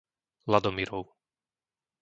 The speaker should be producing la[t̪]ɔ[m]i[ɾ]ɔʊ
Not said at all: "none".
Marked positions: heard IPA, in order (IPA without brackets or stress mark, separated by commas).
d̪, m, ɾ